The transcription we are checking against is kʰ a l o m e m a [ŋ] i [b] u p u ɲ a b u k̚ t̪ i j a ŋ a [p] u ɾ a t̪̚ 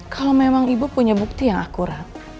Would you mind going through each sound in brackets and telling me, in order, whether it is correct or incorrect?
correct, correct, incorrect: k

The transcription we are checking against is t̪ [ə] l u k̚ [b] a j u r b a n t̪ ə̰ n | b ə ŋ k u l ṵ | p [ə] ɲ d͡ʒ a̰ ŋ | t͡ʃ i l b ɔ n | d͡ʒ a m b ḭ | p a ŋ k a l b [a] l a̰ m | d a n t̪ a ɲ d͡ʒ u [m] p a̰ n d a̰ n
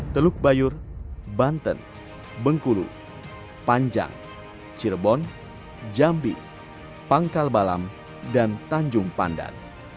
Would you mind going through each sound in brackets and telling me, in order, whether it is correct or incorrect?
correct, correct, incorrect: a, correct, incorrect: ŋ

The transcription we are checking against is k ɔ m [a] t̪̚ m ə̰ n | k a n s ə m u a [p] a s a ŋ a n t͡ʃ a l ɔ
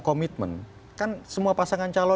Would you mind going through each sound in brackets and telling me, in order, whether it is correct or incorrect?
incorrect: i, correct

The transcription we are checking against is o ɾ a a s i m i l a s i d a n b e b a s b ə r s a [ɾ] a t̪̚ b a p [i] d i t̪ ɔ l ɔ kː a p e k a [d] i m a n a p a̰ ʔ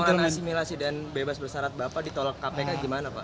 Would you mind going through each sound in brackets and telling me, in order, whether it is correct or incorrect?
correct, incorrect: a, incorrect: ɡ

